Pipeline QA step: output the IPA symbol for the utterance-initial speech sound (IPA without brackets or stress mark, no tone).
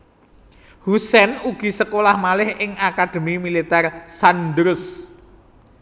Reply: h